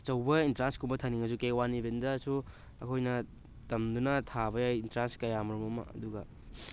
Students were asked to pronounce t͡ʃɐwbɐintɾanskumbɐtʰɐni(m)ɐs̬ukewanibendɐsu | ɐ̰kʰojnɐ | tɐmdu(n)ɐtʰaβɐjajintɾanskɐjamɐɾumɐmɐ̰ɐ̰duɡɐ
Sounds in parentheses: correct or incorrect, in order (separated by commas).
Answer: incorrect, correct